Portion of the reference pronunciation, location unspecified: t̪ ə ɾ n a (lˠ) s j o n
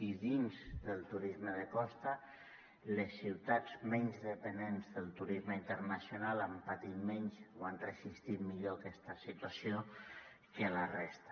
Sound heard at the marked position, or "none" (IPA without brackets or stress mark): none